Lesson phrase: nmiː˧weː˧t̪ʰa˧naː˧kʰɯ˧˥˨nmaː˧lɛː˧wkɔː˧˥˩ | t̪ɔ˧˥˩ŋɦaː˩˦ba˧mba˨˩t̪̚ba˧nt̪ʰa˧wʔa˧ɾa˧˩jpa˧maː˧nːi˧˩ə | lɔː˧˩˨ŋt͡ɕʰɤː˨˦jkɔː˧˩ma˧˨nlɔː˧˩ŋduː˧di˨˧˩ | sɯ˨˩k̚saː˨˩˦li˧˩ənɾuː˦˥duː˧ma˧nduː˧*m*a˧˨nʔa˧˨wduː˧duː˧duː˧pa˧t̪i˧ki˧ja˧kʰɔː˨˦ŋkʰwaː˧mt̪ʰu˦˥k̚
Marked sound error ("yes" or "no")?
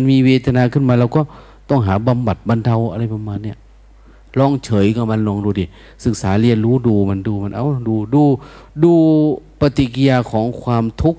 no